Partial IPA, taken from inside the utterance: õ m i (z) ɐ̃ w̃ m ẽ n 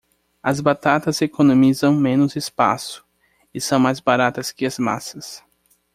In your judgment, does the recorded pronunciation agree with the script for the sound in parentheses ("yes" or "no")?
yes